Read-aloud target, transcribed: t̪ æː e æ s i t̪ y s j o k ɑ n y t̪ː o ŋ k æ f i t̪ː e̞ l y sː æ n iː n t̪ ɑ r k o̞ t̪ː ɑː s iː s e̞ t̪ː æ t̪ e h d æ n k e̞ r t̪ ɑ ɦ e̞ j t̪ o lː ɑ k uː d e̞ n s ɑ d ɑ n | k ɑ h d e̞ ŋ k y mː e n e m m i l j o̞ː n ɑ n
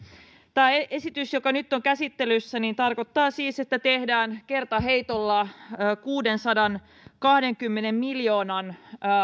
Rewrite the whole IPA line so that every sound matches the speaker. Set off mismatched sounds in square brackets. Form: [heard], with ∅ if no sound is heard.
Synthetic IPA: t̪ æː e [e] s i t̪ y s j o k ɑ n y t̪ː o ŋ k æ [s] i t̪ː e̞ l y sː æ n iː n t̪ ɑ r k o̞ t̪ː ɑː s iː s e̞ t̪ː æ t̪ e h d [æː] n k e̞ r t̪ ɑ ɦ e̞ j t̪ o lː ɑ k uː d e̞ n s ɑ d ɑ n | k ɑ h d e̞ ŋ k y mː e n e m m i l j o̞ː n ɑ n